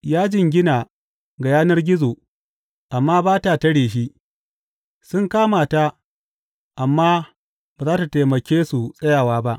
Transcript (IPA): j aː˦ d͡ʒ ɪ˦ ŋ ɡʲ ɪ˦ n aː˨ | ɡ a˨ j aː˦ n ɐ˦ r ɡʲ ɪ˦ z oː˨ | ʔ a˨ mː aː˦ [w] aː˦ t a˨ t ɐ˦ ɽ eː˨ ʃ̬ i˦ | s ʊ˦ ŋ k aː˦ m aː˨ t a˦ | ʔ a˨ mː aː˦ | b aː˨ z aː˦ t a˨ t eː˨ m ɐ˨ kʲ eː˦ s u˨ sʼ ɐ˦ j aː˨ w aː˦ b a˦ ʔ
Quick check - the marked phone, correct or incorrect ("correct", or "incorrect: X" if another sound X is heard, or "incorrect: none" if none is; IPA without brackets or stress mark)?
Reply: incorrect: b